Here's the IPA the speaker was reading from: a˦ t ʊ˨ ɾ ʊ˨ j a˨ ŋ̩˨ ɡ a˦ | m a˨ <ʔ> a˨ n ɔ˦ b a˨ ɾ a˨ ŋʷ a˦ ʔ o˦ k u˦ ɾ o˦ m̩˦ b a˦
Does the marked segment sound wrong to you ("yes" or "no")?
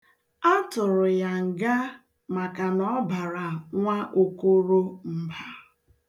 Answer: yes